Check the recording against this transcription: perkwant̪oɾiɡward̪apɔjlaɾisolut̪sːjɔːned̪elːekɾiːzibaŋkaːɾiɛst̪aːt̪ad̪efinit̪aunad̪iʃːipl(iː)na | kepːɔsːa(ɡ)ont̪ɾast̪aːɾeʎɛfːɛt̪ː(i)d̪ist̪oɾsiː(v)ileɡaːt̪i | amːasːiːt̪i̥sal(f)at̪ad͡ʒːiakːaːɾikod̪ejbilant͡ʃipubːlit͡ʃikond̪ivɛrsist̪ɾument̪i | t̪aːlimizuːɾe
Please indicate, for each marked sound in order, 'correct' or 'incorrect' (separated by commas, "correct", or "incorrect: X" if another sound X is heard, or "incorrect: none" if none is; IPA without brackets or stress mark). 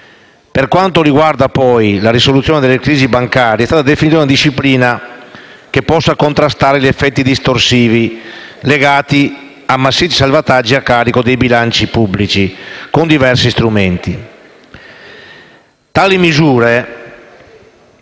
correct, incorrect: k, correct, correct, incorrect: v